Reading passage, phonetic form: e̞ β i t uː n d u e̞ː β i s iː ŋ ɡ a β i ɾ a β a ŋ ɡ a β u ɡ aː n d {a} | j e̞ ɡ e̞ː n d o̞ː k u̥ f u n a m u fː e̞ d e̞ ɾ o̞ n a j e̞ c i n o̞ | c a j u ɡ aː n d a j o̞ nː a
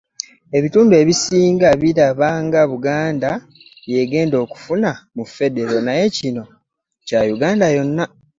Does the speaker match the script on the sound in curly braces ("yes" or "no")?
yes